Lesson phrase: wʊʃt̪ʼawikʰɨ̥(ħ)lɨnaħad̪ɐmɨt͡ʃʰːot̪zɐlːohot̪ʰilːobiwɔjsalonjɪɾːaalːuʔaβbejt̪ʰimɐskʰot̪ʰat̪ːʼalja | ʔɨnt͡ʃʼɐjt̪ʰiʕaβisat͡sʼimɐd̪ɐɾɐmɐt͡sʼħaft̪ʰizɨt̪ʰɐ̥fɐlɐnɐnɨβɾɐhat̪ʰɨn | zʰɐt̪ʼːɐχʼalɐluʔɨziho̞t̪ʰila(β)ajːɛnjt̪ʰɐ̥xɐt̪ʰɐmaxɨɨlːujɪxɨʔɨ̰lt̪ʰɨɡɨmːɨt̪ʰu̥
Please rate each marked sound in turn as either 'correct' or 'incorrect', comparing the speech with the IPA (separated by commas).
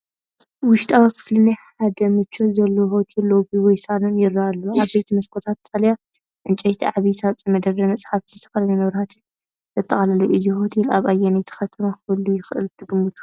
incorrect, correct